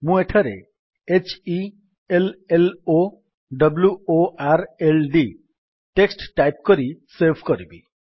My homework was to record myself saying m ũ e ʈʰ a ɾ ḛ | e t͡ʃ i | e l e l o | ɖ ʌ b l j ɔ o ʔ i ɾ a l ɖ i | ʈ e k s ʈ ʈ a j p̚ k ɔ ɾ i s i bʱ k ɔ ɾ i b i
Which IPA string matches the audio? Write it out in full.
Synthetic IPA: m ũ e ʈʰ a ɾ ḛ | e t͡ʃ i | e l e l o | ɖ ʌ b l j u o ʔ a ɾ e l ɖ i | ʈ e k s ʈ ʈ a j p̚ k ɔ ɾ i s e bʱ k ɔ ɾ i b i